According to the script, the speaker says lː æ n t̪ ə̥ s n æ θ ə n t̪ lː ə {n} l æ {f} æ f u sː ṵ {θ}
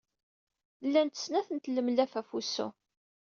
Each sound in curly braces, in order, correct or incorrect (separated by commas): incorrect, correct, incorrect